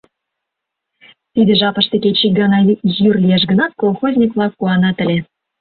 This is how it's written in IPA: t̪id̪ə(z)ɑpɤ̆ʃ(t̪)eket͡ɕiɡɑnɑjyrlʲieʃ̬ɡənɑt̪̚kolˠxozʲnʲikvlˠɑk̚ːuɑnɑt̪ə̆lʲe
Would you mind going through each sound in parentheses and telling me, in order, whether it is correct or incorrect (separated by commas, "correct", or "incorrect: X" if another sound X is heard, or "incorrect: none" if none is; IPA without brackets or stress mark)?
incorrect: ʒ, correct